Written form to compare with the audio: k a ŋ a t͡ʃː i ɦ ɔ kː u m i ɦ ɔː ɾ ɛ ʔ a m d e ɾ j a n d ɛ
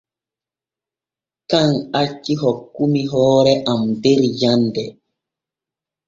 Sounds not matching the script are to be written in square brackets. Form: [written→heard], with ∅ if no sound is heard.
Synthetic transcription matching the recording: k a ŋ a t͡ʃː i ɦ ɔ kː u m i ɦ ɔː ɾ ɛ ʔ a m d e ɾ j a n d ɛ